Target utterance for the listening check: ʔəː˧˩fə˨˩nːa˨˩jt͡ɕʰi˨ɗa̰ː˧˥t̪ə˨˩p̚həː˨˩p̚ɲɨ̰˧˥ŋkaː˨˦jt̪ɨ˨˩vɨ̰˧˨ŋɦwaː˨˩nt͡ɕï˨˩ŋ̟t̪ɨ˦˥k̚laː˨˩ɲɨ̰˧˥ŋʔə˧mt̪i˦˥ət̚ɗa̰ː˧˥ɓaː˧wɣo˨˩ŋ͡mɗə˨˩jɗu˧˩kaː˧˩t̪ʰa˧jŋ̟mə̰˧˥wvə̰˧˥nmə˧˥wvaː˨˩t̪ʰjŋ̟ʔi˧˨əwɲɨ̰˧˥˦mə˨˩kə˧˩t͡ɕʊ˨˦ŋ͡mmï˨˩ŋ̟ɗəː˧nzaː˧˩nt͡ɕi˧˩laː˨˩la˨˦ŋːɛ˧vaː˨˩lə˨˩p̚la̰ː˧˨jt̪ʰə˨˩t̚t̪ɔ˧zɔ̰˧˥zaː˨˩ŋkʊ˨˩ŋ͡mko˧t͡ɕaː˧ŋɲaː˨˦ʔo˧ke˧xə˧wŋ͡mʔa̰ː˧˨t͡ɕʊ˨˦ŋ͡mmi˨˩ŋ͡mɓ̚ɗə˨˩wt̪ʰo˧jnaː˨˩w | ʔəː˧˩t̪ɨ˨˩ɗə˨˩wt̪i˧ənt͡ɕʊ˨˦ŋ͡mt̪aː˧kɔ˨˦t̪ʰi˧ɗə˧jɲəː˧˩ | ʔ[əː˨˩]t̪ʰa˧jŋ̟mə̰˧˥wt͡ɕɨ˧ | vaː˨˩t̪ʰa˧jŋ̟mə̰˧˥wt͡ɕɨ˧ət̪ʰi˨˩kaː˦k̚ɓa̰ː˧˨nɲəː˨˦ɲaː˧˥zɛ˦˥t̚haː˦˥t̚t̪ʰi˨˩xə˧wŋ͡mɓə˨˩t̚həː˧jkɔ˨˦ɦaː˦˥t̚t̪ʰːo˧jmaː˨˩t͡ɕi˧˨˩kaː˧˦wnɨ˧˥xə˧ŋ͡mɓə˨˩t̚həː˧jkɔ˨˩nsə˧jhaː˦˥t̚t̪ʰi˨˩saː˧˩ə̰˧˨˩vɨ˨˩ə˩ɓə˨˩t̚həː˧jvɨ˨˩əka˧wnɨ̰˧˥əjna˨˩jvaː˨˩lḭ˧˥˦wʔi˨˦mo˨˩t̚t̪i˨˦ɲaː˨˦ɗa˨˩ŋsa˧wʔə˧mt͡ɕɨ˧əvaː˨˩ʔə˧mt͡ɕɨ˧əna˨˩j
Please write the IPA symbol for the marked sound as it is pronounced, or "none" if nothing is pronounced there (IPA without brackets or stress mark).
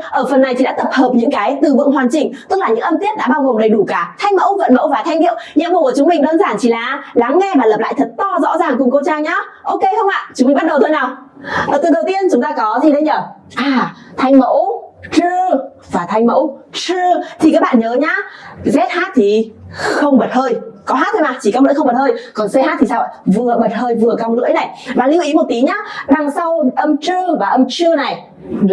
aː˨˩